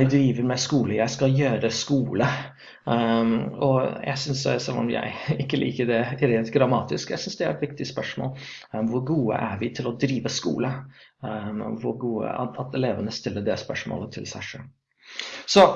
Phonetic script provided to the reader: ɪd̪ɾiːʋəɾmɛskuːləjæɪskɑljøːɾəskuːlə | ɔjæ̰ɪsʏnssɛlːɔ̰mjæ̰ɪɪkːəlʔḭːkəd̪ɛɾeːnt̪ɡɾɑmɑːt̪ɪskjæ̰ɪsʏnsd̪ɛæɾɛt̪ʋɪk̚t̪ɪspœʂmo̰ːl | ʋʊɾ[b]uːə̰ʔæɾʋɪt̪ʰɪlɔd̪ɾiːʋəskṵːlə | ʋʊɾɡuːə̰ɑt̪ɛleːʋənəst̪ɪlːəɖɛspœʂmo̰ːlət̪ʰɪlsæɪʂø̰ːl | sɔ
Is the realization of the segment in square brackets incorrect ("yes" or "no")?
yes